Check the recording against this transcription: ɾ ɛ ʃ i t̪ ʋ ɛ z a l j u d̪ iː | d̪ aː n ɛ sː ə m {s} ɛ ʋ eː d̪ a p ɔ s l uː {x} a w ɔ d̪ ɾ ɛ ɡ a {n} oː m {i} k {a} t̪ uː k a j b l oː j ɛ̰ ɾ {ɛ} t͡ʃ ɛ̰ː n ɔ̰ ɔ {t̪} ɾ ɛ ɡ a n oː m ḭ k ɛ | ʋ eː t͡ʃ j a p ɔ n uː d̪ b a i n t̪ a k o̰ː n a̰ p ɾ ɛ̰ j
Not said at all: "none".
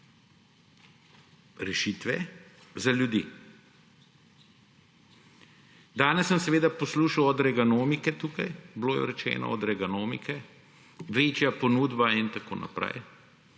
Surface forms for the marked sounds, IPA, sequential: s, ʃ, n, i, ɛ, ɛ, d̪

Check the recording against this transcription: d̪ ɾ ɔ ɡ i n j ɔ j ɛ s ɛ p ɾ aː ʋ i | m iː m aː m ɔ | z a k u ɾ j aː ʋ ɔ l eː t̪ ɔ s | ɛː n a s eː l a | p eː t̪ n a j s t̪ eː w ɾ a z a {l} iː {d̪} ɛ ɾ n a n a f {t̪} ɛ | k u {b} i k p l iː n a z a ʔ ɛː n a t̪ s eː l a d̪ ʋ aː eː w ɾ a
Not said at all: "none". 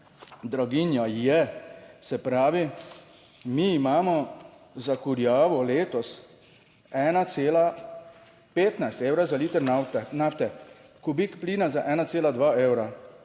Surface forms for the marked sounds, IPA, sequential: l, t̪, t̪, b

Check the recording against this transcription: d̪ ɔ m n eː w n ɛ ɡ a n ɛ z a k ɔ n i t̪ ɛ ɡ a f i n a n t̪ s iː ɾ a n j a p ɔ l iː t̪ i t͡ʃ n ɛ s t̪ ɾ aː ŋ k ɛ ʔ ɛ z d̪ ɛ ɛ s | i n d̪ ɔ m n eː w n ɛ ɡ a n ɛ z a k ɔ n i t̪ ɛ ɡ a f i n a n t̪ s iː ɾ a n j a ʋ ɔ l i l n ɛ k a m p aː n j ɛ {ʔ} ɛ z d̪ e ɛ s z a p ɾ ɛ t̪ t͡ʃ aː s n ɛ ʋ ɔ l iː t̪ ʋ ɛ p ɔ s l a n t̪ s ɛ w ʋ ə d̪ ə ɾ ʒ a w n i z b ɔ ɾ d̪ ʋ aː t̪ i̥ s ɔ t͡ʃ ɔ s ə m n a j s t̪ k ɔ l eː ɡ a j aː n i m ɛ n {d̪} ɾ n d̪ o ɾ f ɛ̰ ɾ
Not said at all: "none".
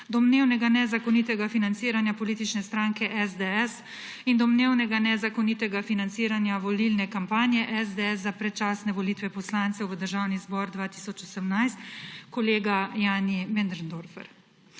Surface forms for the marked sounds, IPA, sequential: ʔ, d̪

